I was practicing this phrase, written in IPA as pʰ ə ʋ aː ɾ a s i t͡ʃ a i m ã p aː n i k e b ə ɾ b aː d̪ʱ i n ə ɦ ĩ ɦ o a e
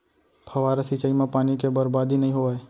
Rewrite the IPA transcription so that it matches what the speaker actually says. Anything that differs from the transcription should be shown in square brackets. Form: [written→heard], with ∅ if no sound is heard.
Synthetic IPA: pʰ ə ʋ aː ɾ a s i t͡ʃ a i m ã p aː n i k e b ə ɾ b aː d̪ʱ i n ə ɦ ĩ ɦ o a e

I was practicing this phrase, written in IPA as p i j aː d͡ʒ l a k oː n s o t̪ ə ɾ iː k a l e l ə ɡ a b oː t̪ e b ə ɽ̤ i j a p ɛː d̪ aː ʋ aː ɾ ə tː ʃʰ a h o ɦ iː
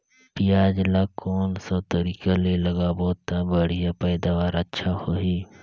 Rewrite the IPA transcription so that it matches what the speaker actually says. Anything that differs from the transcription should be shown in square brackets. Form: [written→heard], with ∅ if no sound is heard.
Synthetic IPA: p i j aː d͡ʒ l a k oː n s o t̪ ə ɾ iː k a l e l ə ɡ a b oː t̪ [e→a] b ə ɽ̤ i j a p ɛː d̪ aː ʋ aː ɾ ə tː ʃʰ a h o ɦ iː

